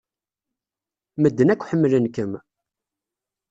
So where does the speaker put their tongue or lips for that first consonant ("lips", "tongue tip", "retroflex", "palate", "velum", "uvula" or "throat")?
lips